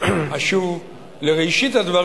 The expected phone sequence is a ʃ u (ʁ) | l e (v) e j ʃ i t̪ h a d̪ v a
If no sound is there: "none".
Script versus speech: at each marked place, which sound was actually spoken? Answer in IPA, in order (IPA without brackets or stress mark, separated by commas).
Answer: v, ʁ